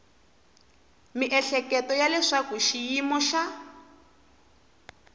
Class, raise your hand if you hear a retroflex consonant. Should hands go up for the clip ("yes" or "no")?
yes